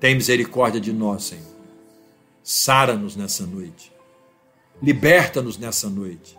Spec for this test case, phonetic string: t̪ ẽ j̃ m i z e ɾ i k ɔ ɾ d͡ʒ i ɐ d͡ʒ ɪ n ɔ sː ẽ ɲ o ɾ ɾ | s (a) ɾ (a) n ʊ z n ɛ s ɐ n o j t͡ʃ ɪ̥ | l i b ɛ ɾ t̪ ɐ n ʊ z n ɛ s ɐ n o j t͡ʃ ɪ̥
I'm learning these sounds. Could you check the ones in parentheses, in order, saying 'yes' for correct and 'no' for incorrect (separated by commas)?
yes, no